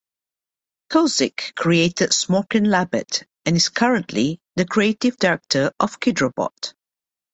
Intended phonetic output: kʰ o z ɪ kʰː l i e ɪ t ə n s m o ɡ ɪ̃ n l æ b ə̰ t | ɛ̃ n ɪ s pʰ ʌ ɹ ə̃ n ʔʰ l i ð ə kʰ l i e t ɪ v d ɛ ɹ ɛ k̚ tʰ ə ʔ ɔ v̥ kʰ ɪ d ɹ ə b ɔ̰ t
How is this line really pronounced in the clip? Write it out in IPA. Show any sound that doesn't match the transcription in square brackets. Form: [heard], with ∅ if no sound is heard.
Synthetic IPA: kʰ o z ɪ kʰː [ɹ] i e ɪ t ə [d] s m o [k] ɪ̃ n l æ b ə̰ t | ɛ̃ n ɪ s [kʰ] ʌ ɹ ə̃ n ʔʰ l i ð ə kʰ [ɹ] i e t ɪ v d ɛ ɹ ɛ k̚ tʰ ə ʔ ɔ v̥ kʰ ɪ d ɹ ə b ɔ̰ t